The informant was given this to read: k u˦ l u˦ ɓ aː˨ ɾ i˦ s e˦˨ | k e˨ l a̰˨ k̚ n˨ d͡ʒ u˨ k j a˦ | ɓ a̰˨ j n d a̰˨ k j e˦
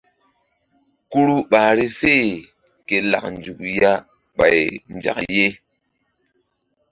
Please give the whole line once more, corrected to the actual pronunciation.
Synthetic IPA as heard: k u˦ ɾ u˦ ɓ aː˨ ɾ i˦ s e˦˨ | k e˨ l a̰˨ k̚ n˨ d͡ʒ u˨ k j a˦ | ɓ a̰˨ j n d͡ʒ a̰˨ k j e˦